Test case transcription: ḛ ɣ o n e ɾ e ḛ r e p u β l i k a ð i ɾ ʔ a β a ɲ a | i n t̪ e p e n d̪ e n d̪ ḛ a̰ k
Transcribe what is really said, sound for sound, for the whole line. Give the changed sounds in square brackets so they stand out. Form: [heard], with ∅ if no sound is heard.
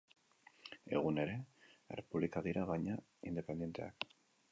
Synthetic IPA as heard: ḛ ɣ [u] n e ɾ e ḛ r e p u β l i k a ð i ɾ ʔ a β a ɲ a | i n [d̪] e p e n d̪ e n [t̪] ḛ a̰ k